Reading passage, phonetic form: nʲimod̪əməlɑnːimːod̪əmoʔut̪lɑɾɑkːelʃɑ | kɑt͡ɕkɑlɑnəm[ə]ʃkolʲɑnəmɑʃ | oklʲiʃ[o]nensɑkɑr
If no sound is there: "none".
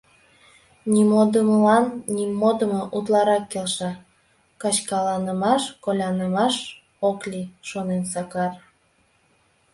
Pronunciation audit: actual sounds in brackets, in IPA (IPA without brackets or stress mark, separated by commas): ɑ, o